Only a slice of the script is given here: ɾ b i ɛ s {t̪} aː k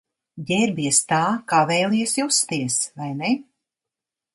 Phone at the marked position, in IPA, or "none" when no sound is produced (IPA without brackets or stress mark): t̪